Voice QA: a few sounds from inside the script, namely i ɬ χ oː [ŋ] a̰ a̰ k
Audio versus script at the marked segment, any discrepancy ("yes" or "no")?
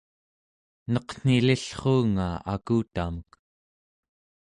no